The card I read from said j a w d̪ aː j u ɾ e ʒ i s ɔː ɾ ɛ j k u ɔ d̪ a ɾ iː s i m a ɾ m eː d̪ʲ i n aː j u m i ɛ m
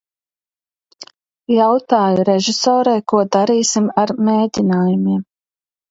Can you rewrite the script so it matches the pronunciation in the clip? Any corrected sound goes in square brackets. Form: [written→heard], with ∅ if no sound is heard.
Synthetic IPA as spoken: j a w [d̪→t̪] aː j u ɾ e ʒ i s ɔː ɾ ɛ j k u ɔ d̪ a ɾ iː s i m a ɾ m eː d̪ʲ i n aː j u m i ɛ m